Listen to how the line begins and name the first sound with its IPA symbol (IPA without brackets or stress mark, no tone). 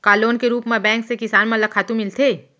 k